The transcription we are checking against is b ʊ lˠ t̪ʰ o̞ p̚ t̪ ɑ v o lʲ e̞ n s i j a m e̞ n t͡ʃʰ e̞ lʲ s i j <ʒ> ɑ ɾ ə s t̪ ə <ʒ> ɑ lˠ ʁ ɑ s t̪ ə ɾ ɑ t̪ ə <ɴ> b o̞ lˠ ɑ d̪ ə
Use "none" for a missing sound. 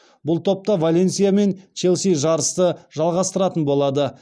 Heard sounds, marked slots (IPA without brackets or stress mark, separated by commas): ʒ, ʒ, n